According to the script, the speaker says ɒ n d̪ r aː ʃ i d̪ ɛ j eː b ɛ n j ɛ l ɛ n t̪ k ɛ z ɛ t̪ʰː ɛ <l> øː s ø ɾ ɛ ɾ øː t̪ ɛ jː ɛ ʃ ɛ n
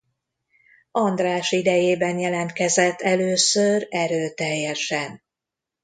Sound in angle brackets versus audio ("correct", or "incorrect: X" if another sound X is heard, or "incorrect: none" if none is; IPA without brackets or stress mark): correct